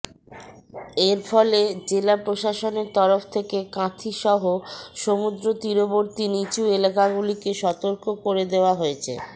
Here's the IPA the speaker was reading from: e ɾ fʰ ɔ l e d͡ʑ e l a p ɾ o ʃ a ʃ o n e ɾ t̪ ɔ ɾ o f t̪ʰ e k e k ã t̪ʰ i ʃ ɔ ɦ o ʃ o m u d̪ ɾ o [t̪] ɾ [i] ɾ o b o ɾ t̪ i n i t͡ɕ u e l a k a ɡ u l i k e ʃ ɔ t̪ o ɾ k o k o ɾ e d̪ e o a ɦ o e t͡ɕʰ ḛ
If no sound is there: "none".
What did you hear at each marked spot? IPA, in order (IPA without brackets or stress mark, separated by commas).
t̪, i